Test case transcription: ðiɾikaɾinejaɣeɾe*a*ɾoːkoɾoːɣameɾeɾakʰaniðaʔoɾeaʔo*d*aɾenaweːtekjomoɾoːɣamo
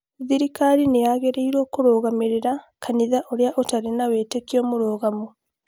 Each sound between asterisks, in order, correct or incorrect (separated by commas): incorrect, incorrect